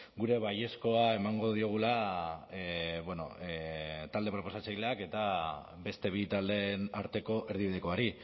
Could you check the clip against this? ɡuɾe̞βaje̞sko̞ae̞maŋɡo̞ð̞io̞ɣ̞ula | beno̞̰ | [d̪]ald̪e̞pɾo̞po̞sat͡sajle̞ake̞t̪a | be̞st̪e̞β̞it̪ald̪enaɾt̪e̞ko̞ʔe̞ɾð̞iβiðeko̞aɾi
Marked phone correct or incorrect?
incorrect